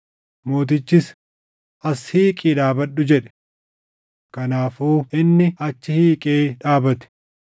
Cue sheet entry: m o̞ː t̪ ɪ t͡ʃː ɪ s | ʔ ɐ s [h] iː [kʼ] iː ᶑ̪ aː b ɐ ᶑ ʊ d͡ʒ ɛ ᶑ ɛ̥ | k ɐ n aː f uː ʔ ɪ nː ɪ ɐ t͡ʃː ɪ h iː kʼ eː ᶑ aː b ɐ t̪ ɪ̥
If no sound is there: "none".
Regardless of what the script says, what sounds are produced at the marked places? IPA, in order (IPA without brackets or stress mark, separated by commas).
h, kʼ